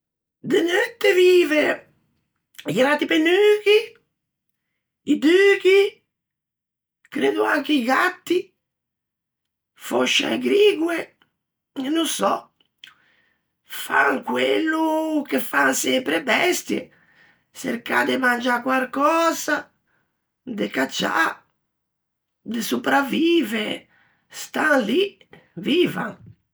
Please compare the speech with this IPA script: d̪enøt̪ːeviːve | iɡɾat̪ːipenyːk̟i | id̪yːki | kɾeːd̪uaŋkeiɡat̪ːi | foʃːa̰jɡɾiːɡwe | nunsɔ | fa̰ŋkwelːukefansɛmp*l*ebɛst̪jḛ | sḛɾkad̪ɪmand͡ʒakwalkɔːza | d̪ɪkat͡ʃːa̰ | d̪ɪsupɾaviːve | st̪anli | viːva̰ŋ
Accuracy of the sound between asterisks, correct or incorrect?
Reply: incorrect